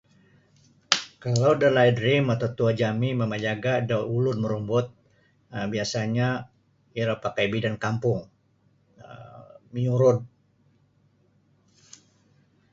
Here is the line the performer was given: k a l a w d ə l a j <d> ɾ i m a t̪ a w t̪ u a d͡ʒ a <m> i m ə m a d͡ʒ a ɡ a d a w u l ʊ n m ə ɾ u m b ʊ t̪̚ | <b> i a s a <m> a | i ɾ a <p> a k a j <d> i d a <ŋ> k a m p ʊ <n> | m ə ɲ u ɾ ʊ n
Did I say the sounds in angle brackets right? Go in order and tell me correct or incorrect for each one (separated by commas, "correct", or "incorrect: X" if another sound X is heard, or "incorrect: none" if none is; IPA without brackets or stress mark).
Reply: correct, correct, correct, incorrect: ɲ, correct, incorrect: b, incorrect: n, incorrect: ŋ